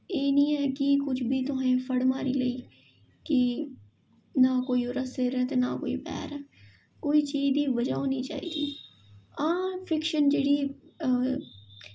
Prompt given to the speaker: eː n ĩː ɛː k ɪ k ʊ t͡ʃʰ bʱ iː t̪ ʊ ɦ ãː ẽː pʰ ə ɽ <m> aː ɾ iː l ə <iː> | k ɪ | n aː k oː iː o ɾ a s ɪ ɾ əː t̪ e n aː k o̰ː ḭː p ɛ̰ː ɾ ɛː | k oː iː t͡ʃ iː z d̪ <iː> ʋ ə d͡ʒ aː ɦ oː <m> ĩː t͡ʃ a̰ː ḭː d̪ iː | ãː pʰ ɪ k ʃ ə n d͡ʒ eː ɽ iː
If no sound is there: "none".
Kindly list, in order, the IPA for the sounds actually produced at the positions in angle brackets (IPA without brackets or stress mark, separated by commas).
m, iː, iː, n